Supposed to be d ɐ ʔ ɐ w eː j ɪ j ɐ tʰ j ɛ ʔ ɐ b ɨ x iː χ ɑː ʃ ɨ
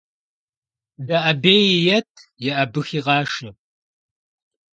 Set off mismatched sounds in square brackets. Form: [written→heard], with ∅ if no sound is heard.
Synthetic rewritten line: d ɐ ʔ ɐ [w→b] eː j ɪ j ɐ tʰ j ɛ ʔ ɐ b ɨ x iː [χ→ʁ] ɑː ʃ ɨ